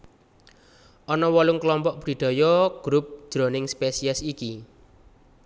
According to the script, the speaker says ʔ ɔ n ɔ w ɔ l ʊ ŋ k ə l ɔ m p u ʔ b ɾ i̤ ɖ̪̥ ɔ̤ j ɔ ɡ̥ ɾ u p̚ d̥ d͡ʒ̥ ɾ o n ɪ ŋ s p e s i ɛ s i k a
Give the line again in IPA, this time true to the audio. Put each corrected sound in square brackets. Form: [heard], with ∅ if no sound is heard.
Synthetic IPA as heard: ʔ ɔ n ɔ w ɔ l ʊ ŋ k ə l ɔ m p [ɔ] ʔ b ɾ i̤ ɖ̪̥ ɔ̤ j ɔ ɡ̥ ɾ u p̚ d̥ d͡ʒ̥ ɾ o n ɪ ŋ s p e s i ɛ s i k [i]